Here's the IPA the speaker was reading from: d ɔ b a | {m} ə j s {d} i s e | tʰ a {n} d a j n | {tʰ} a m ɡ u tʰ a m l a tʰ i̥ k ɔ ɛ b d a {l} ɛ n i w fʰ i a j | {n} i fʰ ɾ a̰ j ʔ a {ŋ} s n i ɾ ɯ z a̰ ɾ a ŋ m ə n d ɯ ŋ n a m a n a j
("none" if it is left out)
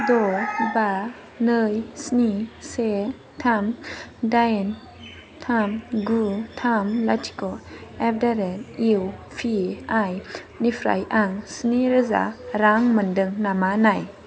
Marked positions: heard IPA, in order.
n, n, m, tʰ, ɾ, n, ŋ

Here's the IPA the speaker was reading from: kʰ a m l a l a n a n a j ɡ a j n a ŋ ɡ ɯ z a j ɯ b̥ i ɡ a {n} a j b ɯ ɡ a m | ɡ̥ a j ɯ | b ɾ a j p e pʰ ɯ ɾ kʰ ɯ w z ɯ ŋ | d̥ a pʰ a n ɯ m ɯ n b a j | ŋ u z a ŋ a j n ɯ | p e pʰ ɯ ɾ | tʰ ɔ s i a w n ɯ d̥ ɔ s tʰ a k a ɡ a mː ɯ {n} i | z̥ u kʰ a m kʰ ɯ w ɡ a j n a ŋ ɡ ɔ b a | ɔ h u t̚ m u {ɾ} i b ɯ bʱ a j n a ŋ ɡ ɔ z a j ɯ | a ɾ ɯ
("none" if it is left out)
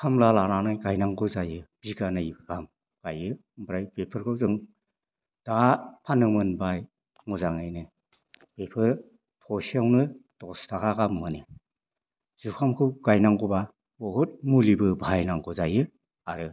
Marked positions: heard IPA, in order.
n, n, l

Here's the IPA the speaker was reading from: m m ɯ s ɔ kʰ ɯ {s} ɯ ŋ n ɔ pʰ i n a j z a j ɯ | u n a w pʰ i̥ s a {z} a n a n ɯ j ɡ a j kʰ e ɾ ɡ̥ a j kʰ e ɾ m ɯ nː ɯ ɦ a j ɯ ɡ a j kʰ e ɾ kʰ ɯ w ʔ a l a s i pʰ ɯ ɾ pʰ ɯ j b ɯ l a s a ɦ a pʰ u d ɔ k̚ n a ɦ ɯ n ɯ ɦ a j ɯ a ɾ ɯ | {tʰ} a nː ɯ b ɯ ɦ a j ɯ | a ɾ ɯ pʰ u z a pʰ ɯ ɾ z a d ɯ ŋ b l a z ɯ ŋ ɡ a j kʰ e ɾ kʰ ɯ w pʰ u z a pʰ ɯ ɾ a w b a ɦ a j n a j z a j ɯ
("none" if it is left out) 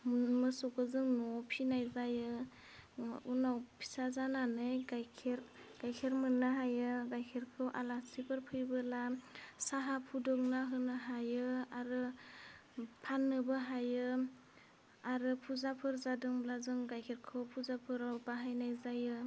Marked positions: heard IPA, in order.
z, z, pʰ

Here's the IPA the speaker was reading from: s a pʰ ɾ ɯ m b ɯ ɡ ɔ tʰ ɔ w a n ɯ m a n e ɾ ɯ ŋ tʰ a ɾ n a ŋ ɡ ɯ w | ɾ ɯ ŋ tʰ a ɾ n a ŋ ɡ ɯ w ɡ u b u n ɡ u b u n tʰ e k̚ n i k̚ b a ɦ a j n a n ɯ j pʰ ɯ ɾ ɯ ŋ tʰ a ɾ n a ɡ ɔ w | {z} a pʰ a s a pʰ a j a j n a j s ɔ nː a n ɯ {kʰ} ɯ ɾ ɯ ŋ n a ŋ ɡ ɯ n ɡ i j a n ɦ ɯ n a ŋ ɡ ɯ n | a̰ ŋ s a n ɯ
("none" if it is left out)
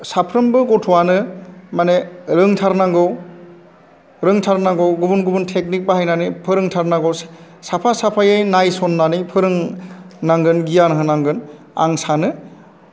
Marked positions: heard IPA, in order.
s, pʰ

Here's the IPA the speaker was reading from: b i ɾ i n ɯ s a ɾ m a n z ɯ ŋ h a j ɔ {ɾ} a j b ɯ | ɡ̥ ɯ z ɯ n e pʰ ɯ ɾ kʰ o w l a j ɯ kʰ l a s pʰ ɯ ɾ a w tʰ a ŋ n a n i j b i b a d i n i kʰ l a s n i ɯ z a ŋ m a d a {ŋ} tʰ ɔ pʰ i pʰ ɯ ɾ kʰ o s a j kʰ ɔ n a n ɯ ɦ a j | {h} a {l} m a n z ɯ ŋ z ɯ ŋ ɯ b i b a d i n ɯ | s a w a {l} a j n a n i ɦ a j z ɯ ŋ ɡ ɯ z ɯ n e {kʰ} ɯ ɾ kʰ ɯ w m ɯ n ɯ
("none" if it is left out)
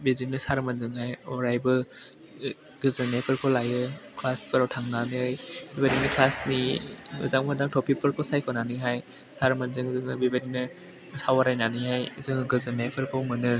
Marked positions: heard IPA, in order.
ɾ, ŋ, s, ɾ, ɾ, pʰ

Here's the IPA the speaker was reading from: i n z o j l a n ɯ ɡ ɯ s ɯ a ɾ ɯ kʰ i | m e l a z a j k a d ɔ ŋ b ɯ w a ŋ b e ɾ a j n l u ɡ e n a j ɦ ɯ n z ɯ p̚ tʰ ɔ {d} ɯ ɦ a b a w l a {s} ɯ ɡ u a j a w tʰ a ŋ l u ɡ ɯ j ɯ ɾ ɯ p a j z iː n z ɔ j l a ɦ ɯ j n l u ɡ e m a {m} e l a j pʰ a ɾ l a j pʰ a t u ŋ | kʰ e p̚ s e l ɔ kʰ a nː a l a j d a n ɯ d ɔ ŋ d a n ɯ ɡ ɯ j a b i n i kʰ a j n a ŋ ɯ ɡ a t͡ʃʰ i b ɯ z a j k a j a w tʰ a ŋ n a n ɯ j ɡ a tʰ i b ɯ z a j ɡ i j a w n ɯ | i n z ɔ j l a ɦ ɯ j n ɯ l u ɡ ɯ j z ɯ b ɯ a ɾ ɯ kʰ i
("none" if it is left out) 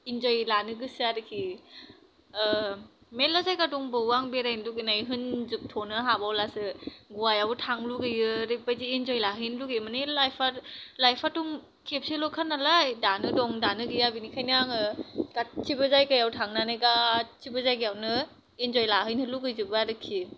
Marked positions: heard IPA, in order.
n, s, n

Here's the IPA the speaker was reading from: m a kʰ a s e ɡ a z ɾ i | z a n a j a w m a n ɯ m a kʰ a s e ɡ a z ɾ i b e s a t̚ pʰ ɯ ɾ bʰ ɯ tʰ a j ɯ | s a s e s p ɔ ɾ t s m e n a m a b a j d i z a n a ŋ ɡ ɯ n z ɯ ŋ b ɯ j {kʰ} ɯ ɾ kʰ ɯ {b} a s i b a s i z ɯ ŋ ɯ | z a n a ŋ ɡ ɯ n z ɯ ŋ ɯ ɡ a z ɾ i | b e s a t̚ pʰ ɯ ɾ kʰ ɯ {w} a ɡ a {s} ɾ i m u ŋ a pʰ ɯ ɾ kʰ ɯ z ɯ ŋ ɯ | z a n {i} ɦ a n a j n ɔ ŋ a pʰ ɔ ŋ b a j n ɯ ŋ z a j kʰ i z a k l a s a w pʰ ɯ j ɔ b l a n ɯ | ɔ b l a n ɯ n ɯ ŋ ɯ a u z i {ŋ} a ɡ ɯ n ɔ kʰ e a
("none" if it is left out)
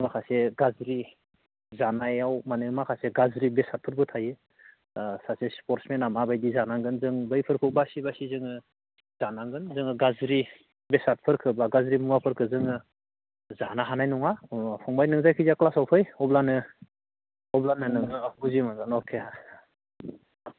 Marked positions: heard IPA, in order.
pʰ, b, b, z, a, m

